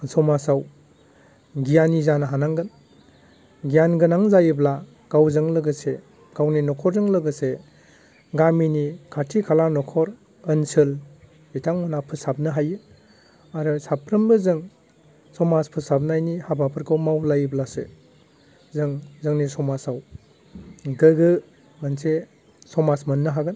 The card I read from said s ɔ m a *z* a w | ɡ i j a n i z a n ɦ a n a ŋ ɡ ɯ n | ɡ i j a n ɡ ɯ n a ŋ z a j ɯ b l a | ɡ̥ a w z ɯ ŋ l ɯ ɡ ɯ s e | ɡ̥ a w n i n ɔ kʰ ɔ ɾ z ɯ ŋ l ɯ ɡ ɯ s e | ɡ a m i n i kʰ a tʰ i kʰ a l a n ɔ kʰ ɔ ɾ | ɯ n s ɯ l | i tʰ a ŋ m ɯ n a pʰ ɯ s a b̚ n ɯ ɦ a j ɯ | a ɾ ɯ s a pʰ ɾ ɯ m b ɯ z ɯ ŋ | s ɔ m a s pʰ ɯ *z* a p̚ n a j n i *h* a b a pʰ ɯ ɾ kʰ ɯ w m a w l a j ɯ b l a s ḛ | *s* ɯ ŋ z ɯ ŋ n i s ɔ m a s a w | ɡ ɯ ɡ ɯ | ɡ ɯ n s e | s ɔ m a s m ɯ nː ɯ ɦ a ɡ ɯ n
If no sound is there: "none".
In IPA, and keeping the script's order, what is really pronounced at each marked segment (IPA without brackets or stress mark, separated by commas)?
s, s, h, z